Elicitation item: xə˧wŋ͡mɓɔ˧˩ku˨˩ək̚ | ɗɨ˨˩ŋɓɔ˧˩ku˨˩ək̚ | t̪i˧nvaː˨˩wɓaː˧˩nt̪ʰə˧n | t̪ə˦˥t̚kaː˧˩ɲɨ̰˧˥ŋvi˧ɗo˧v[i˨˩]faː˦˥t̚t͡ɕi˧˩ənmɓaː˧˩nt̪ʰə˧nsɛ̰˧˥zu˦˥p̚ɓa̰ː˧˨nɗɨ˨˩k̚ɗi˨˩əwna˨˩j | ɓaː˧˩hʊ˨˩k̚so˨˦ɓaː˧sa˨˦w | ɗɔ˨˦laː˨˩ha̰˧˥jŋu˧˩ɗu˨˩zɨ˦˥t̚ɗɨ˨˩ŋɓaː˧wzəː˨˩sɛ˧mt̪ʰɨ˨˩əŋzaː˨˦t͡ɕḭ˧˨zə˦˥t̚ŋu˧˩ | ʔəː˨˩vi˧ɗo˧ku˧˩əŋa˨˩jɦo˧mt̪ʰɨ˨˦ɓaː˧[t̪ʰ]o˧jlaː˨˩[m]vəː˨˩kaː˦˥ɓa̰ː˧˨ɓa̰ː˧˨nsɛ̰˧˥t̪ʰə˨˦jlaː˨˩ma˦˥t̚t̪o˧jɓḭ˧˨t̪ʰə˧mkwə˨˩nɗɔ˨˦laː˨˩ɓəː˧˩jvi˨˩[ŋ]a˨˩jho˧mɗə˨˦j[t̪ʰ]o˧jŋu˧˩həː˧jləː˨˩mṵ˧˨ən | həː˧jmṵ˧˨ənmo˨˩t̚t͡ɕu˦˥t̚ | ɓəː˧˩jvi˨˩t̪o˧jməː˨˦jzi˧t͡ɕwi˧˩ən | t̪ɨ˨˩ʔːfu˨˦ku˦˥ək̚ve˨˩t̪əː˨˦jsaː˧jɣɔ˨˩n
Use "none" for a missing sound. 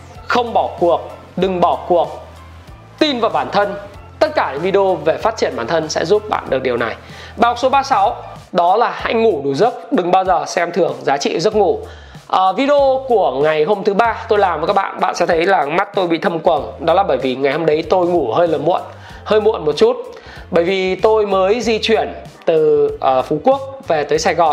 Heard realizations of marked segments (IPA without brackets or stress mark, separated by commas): e˨˩, t̪, m, ŋ, t̪